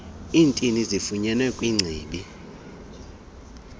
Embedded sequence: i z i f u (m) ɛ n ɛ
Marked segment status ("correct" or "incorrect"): incorrect